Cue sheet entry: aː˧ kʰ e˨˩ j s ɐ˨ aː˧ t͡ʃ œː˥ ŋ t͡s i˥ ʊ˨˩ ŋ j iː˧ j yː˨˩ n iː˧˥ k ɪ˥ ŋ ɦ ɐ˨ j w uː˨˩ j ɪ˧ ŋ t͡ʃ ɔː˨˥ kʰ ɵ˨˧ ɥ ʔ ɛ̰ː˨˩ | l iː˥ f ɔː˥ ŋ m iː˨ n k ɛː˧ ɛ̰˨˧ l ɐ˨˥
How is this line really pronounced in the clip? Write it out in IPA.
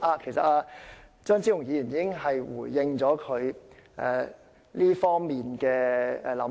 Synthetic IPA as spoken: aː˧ kʰ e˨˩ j s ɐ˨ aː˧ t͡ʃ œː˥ ŋ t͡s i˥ ʊ˨˩ ŋ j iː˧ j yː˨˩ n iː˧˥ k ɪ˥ ŋ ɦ ɐ˨ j w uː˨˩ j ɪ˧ ŋ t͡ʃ ɔː˨˥ kʰ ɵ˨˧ ɥ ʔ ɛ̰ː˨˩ | l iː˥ f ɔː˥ ŋ m iː˨ n k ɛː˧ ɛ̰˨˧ l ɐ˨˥